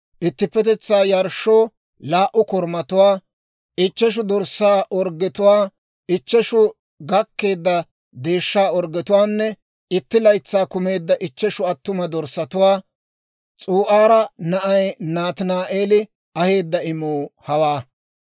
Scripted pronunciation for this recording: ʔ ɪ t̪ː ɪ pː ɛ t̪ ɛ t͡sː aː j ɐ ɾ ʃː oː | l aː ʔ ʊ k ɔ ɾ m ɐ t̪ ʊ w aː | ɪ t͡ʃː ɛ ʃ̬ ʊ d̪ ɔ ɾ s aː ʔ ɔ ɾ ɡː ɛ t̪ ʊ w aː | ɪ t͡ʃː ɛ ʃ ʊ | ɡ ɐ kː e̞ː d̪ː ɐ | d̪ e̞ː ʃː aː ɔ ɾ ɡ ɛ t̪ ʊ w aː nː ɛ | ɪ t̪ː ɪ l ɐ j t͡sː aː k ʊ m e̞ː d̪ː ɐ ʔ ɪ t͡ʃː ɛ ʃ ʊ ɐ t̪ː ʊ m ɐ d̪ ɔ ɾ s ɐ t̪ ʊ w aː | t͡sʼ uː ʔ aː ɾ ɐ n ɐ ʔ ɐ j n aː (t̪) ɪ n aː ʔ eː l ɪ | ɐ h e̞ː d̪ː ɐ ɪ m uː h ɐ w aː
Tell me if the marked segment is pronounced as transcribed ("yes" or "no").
yes